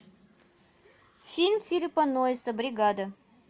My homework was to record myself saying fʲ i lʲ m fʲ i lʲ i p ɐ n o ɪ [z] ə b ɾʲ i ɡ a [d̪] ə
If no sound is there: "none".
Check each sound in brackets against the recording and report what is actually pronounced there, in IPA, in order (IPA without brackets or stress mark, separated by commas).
s, d̪